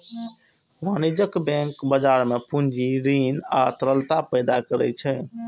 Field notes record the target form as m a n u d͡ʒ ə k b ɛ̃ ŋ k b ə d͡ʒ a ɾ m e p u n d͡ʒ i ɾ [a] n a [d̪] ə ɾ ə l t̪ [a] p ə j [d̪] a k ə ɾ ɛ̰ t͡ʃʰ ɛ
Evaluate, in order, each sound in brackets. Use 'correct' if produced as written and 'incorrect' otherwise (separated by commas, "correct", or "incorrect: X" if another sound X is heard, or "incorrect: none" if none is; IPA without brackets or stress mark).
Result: incorrect: i, incorrect: t̪, correct, correct